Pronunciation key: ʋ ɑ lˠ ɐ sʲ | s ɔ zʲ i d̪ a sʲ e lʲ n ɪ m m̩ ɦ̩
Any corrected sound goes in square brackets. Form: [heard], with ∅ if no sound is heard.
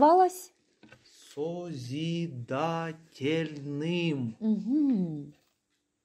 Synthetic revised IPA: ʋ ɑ lˠ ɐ sʲ | s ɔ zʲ i d̪ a [tʲ] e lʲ n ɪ m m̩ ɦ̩